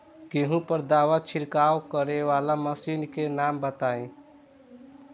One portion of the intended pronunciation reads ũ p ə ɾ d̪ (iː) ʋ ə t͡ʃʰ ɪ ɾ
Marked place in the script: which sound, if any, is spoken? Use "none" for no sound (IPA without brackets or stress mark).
aː